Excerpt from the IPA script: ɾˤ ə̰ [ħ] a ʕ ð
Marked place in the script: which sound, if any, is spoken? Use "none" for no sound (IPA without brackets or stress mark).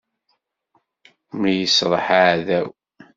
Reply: ħ